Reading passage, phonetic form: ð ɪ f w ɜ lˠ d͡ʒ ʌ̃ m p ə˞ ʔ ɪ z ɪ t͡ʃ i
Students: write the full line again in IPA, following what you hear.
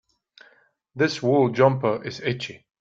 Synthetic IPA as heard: ð ɪ s w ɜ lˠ d͡ʒ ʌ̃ m p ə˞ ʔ ɪ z ɪ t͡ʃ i